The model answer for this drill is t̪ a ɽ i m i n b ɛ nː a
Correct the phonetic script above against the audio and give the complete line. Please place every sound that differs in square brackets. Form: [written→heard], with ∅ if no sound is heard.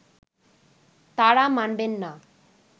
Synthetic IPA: t̪ a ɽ [i→a] m [i→a] n b [ɛ→e] nː a

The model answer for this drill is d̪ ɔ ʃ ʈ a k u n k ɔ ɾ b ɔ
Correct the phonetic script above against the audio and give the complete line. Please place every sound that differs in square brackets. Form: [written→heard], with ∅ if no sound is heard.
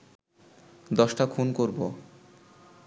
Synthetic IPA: d̪ ɔ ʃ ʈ a [k→kʰ] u n k [ɔ→o] ɾ b [ɔ→o]

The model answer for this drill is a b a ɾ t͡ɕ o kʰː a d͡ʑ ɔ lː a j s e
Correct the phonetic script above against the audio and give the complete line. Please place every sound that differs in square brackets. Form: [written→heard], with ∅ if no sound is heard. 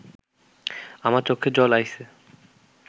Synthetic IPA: a [b→m] a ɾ t͡ɕ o kʰː [a→e] d͡ʑ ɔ [lː→l] a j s e

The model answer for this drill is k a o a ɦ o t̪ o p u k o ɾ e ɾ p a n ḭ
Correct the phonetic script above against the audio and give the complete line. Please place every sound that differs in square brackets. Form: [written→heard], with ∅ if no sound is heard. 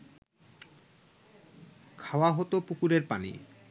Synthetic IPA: [k→kʰ] a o a ɦ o t̪ o p u k [o→u] ɾ e ɾ p a n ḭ

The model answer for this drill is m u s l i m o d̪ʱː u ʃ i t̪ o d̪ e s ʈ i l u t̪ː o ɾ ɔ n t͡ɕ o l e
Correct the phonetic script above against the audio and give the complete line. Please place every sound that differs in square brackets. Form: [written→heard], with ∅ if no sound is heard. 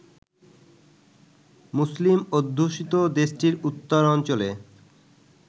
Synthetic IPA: m u s l i m o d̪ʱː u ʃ i t̪ o d̪ e [s→ʃ] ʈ i [l→ɾ] u t̪ː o ɾ ɔ n t͡ɕ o l e

